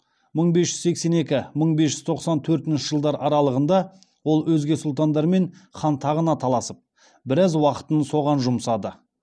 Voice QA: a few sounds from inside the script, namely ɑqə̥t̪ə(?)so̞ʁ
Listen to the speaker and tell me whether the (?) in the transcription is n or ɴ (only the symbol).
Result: n